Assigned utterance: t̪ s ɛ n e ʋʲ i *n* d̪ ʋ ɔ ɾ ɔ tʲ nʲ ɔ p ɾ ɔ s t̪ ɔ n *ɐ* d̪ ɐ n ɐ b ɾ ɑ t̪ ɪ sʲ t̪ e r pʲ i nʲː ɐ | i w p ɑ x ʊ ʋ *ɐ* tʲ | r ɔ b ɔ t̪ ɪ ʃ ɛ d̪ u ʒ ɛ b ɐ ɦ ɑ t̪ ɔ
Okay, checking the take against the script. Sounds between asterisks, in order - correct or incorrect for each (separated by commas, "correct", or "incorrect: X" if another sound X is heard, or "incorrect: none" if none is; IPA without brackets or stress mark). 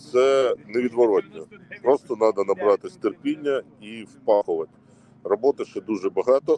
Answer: incorrect: none, incorrect: ɑ, correct